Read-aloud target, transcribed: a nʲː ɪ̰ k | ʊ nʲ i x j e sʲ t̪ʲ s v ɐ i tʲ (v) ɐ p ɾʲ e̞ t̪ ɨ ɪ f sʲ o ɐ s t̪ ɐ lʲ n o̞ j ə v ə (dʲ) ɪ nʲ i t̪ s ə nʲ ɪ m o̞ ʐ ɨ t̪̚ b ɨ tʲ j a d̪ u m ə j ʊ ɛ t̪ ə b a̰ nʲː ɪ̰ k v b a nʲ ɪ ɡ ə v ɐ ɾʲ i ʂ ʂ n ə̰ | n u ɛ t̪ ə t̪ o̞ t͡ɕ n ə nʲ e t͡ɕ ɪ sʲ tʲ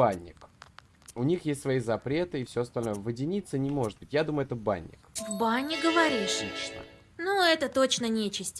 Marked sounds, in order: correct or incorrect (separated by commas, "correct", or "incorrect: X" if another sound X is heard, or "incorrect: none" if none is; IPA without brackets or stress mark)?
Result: incorrect: z, correct